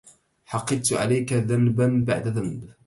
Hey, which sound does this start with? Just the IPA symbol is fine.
ħ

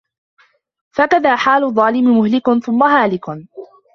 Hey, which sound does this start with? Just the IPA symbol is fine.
f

